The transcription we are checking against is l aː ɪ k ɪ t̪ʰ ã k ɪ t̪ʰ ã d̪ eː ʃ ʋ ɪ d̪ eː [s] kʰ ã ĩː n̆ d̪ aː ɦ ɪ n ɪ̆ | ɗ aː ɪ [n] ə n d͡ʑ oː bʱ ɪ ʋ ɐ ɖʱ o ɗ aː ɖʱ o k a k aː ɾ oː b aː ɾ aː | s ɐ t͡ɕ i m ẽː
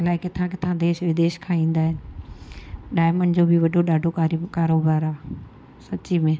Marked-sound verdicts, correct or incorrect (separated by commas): incorrect, incorrect